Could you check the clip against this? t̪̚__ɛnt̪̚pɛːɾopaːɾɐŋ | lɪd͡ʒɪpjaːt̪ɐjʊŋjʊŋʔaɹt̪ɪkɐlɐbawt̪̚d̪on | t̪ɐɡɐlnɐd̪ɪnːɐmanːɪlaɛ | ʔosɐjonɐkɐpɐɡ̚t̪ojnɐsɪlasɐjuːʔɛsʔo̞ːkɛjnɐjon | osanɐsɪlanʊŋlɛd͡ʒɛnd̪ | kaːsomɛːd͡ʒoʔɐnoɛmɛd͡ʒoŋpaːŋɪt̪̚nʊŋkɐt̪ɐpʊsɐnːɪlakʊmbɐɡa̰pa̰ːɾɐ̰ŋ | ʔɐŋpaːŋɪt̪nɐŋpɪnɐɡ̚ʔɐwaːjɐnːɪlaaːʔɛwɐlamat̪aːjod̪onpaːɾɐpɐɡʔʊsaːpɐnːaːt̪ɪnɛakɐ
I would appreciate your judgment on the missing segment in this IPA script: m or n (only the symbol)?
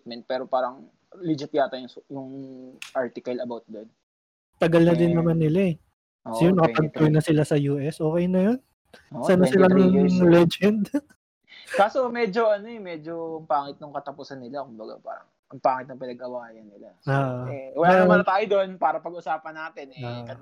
m